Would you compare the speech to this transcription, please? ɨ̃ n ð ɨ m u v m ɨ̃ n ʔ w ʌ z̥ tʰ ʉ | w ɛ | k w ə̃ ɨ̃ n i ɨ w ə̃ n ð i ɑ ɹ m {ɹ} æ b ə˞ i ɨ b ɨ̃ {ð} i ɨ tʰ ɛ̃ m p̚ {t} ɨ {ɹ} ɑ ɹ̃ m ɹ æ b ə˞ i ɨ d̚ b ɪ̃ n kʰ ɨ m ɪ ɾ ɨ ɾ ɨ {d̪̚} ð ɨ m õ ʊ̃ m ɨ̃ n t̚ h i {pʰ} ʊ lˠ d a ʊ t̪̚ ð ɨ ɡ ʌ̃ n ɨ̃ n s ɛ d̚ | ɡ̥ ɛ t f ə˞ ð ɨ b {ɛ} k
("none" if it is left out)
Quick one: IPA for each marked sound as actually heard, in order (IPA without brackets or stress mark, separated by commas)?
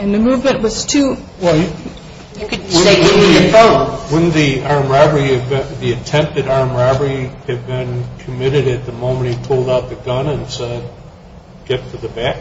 ɹ, ð, t, ɾ, t̪̚, pʰ, æ